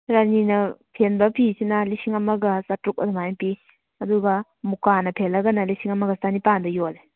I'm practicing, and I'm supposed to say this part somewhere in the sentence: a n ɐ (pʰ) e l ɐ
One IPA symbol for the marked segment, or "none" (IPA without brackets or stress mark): pʰ